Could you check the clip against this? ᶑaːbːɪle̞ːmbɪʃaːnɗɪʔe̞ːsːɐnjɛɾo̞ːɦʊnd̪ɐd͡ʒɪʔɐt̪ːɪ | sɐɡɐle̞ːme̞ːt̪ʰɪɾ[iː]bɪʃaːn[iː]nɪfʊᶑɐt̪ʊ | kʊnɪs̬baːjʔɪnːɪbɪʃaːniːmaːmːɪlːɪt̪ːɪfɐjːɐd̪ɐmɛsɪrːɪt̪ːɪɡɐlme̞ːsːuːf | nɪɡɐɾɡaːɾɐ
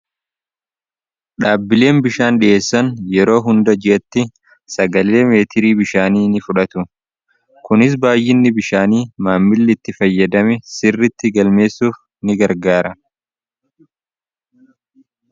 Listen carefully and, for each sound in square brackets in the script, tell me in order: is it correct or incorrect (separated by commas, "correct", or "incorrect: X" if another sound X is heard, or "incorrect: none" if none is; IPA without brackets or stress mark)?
correct, correct